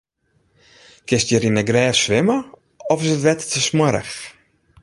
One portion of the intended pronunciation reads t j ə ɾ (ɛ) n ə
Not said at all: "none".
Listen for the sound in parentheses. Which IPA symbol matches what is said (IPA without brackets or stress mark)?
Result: i